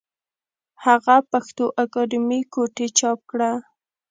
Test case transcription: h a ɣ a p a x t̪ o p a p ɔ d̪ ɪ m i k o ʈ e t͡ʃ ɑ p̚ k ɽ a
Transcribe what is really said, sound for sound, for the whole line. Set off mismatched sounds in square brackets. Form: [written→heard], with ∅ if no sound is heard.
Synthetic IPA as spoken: h a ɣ a p a x t̪ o [p→ʔ] a [p→k] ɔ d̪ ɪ m i k o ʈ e t͡ʃ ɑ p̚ k ɽ a